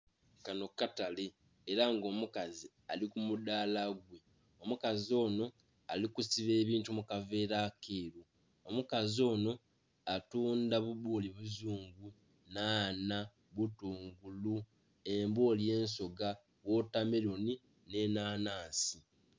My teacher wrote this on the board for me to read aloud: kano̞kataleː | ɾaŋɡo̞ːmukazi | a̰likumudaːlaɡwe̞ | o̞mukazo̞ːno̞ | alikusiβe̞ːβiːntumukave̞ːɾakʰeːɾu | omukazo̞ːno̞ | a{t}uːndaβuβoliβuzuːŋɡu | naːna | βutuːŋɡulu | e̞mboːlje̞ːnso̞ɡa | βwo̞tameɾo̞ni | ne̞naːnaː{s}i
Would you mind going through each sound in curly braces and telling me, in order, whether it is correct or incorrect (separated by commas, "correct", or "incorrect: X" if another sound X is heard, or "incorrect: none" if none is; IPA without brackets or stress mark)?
correct, correct